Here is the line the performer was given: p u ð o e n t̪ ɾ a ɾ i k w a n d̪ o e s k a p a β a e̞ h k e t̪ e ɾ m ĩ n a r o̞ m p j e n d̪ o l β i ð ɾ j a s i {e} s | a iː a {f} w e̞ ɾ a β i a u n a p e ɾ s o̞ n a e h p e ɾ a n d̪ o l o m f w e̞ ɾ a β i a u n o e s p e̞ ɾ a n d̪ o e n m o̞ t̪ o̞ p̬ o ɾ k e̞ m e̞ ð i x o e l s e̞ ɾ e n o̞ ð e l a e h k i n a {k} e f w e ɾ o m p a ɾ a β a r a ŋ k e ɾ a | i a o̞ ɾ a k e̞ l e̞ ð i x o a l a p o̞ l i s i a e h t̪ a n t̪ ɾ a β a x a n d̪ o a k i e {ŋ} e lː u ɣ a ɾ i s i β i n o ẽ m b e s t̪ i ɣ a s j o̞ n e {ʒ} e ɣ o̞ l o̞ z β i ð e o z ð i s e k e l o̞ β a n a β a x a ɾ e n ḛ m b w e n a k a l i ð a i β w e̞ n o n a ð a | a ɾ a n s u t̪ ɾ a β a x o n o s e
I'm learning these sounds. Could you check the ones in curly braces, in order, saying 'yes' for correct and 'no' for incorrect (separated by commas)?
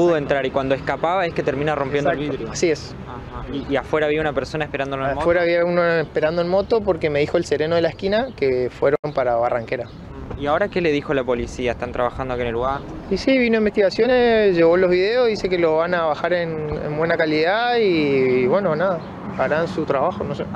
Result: yes, yes, yes, no, yes